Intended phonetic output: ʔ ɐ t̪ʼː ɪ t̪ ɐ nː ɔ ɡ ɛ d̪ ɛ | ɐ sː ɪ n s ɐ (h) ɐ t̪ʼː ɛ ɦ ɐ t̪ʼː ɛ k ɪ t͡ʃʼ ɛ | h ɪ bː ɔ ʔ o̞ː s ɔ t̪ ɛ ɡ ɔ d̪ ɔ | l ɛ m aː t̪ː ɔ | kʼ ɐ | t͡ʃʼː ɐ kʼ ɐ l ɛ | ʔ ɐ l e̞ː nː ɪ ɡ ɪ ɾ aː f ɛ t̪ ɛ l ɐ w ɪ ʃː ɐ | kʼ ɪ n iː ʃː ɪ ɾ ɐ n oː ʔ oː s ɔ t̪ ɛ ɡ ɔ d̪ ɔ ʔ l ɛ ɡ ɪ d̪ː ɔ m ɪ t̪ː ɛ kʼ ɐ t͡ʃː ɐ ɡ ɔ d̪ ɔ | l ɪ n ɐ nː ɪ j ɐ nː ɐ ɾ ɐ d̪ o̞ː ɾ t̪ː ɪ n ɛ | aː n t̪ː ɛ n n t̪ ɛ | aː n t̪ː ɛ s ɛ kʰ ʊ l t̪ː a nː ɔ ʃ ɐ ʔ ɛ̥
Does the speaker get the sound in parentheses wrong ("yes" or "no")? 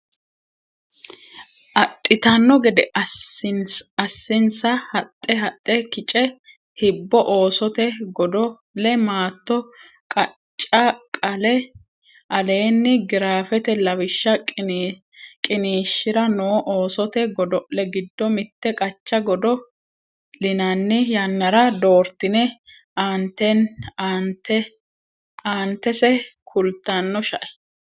no